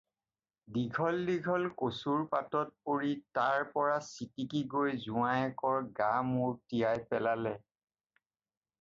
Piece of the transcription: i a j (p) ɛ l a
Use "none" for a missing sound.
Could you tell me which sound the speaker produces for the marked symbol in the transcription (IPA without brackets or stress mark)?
p